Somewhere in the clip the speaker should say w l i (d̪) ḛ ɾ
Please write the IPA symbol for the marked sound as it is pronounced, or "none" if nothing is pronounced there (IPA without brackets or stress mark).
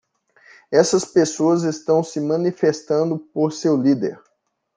d̪